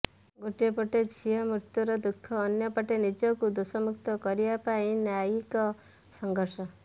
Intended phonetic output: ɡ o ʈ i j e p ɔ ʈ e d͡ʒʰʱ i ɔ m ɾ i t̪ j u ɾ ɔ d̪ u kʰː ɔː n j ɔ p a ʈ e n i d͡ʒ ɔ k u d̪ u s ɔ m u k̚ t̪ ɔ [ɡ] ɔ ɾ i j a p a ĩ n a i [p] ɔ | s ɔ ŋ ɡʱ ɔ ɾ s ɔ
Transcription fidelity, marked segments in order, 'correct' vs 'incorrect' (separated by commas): incorrect, incorrect